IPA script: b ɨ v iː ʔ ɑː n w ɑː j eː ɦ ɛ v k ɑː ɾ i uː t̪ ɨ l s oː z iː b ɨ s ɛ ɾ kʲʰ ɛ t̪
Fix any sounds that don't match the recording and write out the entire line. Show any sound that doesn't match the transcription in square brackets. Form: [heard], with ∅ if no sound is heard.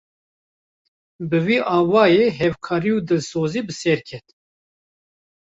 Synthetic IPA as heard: b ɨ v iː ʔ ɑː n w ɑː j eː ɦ ɛ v [kʰ] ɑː ɾ i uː [d̪] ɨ l s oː z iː b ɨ s ɛ ɾ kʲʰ ɛ t̪